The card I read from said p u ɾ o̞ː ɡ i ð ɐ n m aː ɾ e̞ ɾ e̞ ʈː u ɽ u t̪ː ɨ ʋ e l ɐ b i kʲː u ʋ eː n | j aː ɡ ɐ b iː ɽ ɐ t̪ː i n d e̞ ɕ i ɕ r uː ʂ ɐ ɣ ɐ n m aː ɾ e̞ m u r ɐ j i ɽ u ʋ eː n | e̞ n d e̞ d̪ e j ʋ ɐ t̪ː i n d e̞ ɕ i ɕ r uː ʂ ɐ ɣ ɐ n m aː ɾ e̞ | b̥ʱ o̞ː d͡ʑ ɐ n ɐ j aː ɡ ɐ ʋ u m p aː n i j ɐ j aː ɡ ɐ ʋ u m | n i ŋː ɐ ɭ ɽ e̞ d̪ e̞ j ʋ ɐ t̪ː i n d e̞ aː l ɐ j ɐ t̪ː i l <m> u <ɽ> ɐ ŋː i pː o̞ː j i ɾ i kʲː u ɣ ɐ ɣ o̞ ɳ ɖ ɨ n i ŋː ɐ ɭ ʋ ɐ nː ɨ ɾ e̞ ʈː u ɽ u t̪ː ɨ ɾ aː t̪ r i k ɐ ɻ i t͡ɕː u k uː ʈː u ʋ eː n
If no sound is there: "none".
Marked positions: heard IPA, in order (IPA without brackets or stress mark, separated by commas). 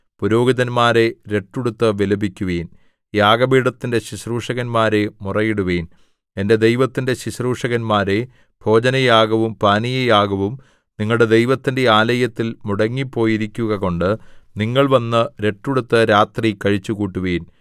m, ɽ